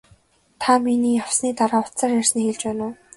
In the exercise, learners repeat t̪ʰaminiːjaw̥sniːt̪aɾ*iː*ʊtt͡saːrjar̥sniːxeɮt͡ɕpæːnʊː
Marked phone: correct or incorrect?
incorrect